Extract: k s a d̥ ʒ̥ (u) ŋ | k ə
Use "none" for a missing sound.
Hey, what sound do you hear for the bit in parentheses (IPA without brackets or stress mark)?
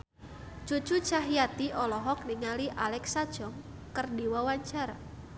ɔ